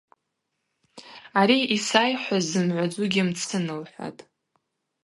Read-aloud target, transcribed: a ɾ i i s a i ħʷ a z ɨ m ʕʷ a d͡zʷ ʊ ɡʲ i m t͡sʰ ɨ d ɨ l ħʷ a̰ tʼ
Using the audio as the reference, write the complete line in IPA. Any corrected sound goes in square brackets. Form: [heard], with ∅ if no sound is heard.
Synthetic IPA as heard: a ɾ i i s a [j] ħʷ a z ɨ m ʕʷ a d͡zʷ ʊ ɡʲ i m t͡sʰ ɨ [n] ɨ l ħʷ a̰ tʼ